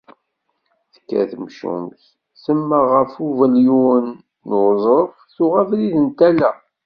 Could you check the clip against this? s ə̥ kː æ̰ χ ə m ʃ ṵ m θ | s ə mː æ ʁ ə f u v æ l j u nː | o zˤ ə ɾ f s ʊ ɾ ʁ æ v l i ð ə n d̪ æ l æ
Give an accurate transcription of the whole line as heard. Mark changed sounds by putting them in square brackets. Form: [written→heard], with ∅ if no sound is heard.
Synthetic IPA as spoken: [s→θ] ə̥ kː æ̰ [χ→θ] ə m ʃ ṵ m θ | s ə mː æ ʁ ə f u v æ l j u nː | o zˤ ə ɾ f [s→θ] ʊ [ɾ→∅] ʁ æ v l i ð ə n [d̪→t̪] æ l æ